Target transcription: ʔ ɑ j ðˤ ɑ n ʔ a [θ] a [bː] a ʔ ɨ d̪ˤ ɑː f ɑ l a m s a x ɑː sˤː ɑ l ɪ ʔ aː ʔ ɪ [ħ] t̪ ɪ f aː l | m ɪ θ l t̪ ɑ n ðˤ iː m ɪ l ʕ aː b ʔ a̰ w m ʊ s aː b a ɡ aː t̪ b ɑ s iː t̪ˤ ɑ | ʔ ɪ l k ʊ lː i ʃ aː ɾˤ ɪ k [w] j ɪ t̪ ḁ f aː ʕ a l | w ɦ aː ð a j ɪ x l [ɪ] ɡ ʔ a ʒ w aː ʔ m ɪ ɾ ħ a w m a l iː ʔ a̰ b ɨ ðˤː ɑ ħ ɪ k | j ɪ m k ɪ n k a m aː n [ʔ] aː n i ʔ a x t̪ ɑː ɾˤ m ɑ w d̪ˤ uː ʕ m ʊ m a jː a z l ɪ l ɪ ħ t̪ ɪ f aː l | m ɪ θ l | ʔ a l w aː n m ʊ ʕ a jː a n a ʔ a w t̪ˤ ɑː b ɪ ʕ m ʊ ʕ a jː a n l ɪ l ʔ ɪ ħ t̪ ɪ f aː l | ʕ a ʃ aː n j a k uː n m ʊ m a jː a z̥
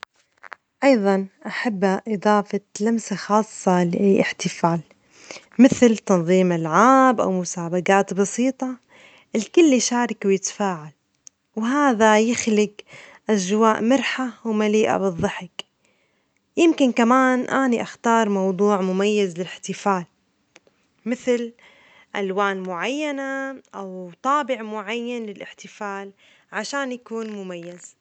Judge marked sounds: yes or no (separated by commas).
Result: no, yes, yes, yes, yes, yes